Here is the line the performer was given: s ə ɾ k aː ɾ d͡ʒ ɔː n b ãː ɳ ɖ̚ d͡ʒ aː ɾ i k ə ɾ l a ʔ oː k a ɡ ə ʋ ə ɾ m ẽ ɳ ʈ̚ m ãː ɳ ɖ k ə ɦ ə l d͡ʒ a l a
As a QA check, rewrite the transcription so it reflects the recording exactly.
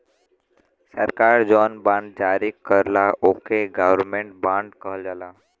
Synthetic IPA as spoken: s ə ɾ k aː ɾ d͡ʒ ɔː n b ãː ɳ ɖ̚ d͡ʒ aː ɾ i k ə ɾ l a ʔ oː k e ɡ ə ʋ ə ɾ m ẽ ɳ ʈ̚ b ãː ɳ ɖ k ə ɦ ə l d͡ʒ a l a